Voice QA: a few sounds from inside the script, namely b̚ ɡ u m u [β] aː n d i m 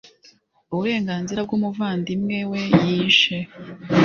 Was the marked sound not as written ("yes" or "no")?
yes